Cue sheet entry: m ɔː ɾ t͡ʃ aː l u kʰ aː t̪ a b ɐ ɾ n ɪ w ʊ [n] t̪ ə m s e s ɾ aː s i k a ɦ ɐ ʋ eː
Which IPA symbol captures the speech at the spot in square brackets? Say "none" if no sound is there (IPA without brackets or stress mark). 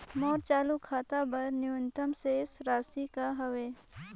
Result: n